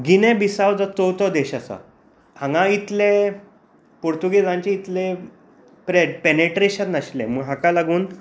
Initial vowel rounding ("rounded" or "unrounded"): unrounded